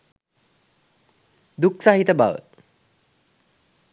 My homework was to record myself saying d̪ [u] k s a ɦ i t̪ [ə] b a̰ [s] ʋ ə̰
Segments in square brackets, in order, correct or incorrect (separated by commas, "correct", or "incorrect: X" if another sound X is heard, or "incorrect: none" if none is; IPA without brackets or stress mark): correct, correct, incorrect: none